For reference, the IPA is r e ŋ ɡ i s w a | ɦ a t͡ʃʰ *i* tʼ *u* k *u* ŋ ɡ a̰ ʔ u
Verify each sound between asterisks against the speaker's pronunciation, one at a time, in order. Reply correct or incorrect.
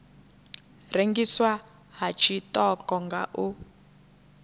correct, incorrect: ɔ, incorrect: ɔ

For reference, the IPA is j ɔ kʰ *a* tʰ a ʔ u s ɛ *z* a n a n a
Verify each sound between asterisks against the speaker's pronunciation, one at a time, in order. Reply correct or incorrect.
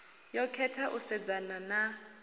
incorrect: ɛ, incorrect: d͡z

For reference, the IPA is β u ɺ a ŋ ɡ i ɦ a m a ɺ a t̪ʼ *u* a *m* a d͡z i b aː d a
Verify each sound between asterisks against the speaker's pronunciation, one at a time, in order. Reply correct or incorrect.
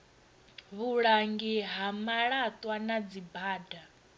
incorrect: w, incorrect: n

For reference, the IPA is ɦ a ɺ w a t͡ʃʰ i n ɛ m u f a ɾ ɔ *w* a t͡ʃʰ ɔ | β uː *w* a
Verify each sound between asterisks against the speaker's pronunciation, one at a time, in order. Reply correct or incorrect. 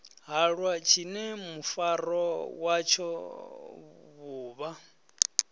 correct, incorrect: β

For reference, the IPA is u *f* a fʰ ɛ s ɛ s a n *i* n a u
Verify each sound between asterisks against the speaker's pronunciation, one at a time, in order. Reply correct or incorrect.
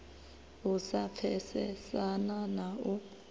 incorrect: s, incorrect: a

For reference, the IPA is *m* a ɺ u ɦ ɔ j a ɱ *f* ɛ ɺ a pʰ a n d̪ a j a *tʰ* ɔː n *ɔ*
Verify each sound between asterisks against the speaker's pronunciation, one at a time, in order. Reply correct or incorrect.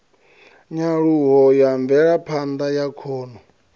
incorrect: ɲ, incorrect: v, incorrect: kʰ, correct

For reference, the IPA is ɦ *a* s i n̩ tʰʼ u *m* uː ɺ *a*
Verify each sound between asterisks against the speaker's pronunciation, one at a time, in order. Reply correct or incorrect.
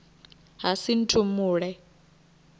correct, correct, incorrect: ɛ

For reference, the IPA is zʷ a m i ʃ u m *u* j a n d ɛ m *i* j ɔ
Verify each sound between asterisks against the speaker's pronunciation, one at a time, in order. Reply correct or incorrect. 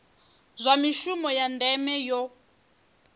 incorrect: ɔ, incorrect: ɛ

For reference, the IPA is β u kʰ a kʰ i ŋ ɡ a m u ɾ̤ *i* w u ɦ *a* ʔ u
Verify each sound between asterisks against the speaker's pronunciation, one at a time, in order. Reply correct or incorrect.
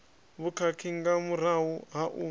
incorrect: a, correct

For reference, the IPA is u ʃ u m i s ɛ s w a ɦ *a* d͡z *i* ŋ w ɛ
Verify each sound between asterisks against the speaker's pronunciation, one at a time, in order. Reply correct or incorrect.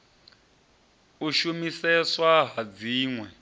correct, incorrect: iː

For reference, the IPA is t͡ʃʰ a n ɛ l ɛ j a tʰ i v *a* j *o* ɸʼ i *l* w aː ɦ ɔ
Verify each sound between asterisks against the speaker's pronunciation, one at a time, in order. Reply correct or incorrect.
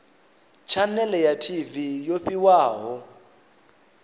incorrect: i, correct, incorrect: none

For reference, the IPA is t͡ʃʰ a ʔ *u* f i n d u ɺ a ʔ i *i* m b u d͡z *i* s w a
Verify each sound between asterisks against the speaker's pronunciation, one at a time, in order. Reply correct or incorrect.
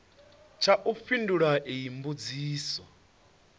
correct, correct, incorrect: iː

